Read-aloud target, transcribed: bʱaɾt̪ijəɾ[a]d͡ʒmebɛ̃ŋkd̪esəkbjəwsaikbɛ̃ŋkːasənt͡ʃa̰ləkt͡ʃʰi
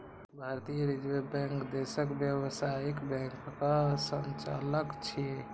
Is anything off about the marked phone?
yes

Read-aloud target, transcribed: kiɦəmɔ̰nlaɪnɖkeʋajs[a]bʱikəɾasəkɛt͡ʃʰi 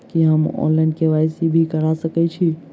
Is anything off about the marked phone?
yes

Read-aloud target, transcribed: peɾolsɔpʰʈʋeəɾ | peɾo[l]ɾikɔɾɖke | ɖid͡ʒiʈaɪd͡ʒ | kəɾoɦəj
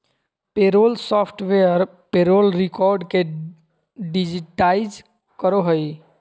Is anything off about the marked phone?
no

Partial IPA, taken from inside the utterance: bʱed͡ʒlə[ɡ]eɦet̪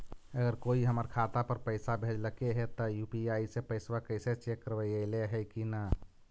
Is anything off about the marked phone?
yes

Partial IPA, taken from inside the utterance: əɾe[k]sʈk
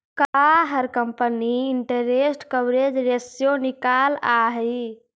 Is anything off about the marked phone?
yes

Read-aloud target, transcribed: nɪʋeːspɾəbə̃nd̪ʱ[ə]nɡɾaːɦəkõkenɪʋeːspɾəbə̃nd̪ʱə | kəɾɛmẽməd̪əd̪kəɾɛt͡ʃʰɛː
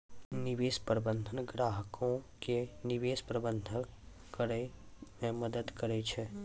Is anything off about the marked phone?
no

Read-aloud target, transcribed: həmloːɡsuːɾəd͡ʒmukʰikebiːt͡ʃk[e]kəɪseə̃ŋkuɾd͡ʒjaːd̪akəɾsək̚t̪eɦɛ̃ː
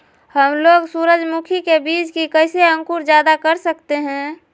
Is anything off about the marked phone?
yes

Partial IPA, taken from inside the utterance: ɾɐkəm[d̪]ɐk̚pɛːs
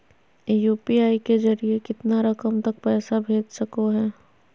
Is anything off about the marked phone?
yes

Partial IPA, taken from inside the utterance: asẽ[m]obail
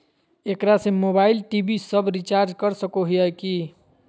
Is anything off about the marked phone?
no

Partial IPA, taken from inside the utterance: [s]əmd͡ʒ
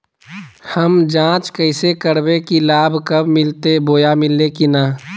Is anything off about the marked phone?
yes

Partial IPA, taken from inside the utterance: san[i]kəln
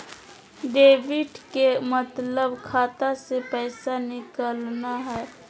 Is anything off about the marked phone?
yes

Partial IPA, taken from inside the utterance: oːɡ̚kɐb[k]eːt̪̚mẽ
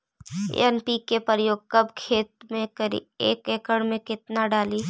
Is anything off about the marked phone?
yes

